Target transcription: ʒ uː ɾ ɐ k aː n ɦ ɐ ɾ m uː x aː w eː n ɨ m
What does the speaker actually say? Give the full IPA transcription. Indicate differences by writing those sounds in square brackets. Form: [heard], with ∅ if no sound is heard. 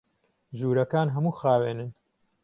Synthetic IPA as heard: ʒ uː ɾ ɐ k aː n ɦ ɐ [∅] m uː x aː w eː n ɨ [n]